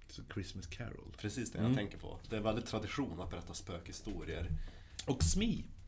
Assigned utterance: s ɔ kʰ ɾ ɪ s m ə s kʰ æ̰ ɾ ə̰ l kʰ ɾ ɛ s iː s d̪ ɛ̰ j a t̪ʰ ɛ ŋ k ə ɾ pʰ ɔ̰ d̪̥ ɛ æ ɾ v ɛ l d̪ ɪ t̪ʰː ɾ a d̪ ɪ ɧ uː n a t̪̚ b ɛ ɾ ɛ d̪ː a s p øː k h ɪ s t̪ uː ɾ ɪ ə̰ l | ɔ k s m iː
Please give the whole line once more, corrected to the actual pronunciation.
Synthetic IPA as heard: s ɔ kʰ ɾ ɪ s m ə s kʰ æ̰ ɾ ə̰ l pʰ ɾ ɛ s iː s d̪ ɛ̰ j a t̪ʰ ɛ ŋ k ə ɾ pʰ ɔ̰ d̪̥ ɛ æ ɾ v ɛ l d̪ ɪ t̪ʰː ɾ a d̪ ɪ ɧ uː n a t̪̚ b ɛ ɾ ɛ t̪ː a s p øː k h ɪ s t̪ uː ɾ ɪ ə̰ ɾ | ɔ k s m iː